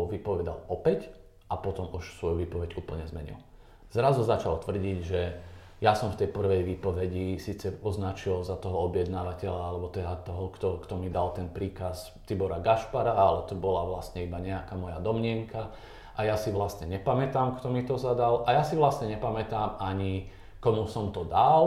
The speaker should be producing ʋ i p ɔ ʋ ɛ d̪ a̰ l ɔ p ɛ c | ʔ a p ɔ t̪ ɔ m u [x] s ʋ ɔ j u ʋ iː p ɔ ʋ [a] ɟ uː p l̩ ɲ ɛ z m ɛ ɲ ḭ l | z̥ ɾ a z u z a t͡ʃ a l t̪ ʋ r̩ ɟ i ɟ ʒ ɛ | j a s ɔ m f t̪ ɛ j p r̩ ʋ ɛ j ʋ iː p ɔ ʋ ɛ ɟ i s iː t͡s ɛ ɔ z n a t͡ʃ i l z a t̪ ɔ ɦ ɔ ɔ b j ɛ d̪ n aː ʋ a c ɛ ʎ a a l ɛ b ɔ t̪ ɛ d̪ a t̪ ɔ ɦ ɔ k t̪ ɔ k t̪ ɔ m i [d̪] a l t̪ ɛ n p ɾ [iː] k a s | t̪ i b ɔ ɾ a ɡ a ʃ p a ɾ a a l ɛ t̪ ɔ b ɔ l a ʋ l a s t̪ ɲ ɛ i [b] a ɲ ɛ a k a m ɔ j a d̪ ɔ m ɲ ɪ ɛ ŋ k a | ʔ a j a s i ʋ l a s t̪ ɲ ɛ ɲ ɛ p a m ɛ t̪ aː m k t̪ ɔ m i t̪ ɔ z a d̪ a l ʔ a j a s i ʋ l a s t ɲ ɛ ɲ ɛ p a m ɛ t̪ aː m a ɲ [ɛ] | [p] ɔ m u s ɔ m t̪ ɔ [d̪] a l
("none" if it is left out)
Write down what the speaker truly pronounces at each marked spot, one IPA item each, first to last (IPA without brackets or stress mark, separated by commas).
ʃ, ɛ, d̪, iː, b, i, k, d̪